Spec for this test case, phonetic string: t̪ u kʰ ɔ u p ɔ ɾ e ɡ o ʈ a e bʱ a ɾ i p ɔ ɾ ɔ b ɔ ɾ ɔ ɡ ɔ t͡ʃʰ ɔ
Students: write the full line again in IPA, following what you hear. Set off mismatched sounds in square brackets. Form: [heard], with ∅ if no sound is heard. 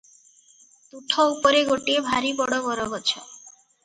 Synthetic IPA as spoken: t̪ u [ʈʰ] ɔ u p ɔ ɾ e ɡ o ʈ [i] e bʱ a ɾ i [b] ɔ [ɽ] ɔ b ɔ ɾ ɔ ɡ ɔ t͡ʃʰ ɔ